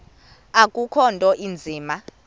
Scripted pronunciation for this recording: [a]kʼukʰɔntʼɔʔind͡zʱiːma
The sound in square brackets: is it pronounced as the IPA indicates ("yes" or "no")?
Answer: yes